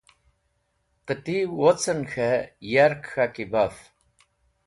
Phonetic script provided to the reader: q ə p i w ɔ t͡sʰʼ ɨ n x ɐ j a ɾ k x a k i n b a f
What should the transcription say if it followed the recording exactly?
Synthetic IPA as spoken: q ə t i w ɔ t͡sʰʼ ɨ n x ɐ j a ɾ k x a k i b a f